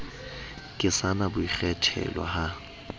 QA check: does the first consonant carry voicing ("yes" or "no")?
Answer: no